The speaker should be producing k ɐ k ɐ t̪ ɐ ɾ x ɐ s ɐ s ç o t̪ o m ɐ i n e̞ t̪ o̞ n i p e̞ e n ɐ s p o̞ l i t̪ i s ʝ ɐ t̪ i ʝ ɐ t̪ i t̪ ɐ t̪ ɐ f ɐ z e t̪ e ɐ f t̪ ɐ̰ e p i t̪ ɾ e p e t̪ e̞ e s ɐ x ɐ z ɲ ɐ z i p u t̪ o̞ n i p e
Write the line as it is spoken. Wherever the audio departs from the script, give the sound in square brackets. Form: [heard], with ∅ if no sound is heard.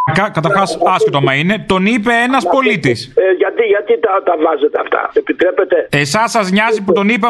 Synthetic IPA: k ɐ k ɐ t̪ ɐ ɾ x ɐ s ɐ s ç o t̪ o m ɐ i n e̞ t̪ o̞ n i p e̞ e n ɐ s p o̞ l i t̪ i s ʝ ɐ t̪ i ʝ ɐ t̪ i t̪ ɐ t̪ ɐ [v] ɐ z e t̪ e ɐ f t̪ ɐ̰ e p i t̪ ɾ e p e t̪ e̞ e s ɐ [s] ɐ z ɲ ɐ z i p u t̪ o̞ n i p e